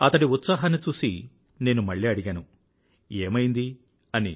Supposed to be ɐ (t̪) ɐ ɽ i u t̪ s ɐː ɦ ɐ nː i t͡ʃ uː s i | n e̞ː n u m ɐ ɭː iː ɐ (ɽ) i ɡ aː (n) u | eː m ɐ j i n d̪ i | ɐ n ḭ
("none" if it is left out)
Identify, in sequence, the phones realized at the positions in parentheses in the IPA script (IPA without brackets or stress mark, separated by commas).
t̪, ɽ, n